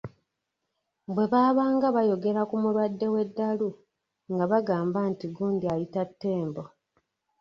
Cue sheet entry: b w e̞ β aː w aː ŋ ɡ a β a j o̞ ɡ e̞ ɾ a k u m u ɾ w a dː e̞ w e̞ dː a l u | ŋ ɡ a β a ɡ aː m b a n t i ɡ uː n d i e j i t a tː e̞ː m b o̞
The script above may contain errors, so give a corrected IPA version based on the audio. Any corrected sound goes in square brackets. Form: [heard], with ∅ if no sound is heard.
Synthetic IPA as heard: b w e̞ β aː [β] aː ŋ ɡ a β a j o̞ ɡ e̞ ɾ a k u m u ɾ w a dː e̞ w e̞ dː a l u | ŋ ɡ a β a ɡ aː m b a n t i ɡ uː n d i [a] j i t a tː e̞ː m b o̞